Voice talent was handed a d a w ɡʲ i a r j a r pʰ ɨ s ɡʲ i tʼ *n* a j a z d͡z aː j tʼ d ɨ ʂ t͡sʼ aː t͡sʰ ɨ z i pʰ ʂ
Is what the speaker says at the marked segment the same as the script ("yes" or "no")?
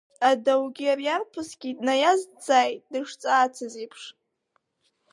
yes